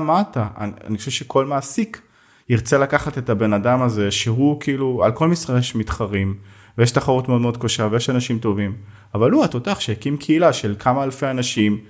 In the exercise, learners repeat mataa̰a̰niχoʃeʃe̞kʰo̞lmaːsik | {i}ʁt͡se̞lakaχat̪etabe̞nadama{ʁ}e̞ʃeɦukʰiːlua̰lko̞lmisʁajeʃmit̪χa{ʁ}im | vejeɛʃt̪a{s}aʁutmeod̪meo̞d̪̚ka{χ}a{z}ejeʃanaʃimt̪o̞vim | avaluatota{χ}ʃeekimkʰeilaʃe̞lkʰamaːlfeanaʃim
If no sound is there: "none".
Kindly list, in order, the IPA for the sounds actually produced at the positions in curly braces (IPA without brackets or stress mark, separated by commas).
i, z, ʁ, χ, ʃ, v, χ